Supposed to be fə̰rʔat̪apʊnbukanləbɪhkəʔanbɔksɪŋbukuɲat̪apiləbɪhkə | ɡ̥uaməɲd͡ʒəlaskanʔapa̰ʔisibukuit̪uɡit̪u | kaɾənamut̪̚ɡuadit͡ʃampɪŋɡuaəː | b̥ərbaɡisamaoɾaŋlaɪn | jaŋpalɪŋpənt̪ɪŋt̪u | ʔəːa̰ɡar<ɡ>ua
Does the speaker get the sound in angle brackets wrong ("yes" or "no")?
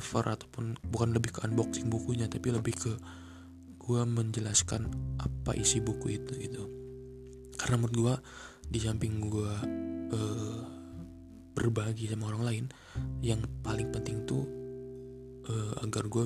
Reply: no